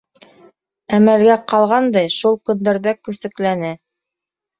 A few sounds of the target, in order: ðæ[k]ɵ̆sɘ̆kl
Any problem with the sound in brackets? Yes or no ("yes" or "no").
no